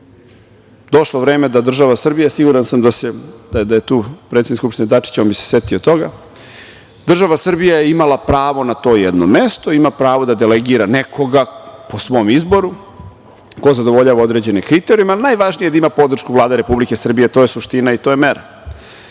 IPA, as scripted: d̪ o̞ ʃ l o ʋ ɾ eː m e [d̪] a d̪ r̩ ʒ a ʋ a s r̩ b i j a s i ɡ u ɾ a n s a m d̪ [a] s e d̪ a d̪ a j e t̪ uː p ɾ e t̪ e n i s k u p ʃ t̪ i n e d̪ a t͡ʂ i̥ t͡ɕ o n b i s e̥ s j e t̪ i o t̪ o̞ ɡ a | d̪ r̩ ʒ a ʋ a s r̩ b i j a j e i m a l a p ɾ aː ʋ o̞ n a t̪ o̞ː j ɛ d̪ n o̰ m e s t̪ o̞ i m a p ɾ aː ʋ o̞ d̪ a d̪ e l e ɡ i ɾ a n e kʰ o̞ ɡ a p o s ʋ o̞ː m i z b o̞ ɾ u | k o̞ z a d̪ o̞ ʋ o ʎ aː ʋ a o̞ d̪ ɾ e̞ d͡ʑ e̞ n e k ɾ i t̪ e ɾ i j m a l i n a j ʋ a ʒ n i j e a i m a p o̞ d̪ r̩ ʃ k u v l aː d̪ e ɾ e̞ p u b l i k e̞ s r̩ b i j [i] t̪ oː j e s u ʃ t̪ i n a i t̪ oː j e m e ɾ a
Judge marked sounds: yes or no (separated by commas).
yes, yes, no